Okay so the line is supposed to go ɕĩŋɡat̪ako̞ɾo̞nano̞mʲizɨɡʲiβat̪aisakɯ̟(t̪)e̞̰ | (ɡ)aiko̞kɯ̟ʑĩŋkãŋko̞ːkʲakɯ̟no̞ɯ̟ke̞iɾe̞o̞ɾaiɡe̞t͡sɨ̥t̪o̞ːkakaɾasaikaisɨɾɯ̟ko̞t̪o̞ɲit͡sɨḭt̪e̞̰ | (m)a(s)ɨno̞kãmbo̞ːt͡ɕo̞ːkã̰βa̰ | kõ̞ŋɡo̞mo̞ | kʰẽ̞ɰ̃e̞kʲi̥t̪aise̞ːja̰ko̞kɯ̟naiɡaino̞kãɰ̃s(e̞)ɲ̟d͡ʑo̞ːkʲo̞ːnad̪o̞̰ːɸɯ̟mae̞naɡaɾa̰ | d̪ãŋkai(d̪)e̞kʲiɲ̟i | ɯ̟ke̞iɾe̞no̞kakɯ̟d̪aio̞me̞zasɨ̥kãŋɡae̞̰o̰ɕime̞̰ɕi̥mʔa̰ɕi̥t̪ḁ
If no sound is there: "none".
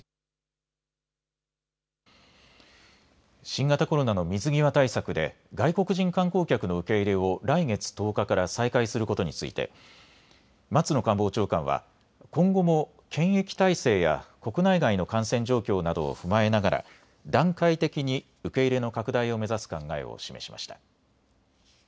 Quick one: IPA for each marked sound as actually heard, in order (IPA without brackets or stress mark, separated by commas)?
d̪, ɡ, m, t͡s, ẽ̞, t̪